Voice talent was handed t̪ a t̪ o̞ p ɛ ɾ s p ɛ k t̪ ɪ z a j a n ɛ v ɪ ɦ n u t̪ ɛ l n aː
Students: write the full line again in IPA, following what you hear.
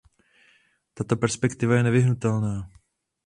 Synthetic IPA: t̪ a t̪ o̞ p ɛ ɾ s p ɛ k t̪ ɪ v a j ɛ n ɛ v ɪ ɦ n u t̪ ɛ l n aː